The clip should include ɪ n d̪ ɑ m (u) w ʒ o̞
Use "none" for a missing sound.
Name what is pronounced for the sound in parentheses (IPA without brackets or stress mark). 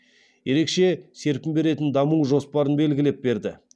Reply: u